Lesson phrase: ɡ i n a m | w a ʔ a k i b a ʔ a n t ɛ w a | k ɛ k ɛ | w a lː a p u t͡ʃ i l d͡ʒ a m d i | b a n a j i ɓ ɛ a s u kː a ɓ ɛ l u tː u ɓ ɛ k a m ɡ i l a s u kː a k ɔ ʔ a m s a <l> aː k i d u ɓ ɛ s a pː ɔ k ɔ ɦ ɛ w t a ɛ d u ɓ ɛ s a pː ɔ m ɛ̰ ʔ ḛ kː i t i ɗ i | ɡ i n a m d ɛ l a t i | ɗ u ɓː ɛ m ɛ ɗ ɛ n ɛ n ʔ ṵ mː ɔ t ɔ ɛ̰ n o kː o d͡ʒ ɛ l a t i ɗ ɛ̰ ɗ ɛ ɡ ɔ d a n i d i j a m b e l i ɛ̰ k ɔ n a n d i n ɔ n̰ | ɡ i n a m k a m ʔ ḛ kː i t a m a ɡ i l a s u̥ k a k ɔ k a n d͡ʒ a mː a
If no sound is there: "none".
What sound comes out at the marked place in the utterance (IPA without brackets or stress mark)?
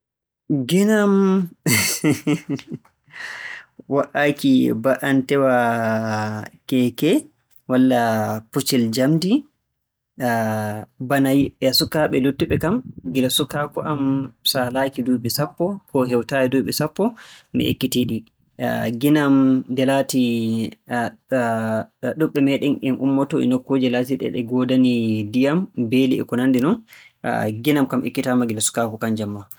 l